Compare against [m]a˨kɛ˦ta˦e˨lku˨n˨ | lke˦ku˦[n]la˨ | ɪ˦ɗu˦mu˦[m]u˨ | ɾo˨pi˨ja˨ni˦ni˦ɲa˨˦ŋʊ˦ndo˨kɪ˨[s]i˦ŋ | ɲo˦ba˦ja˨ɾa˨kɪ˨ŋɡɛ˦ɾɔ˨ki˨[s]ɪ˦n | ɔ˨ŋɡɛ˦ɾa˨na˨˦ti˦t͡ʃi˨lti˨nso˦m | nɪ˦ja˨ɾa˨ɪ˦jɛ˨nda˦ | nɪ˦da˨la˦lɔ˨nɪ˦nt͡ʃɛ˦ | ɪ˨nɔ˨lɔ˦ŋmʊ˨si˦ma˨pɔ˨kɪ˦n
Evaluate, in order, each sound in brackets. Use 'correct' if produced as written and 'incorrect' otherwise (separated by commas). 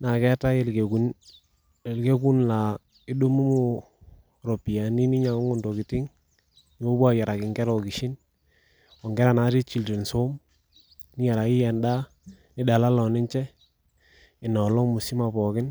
incorrect, correct, correct, incorrect, incorrect